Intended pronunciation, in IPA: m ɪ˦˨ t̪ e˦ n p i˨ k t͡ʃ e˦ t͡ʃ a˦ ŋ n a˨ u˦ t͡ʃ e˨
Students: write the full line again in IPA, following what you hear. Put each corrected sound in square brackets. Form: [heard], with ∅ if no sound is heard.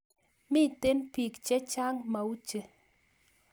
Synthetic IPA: m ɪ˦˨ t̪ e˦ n p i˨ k t͡ʃ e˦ t͡ʃ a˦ ŋ [m] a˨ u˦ t͡ʃ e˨